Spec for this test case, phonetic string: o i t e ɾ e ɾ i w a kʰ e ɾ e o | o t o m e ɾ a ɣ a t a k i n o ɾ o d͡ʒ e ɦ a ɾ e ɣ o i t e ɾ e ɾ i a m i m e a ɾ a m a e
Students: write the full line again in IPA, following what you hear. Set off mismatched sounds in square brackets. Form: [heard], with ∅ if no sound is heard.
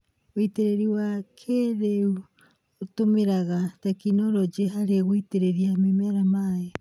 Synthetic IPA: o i t e ɾ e ɾ i w a kʰ e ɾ e [u] | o t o m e ɾ a ɣ a t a k i n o ɾ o d͡ʒ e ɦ a ɾ e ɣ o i t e ɾ e ɾ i a m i m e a ɾ a m a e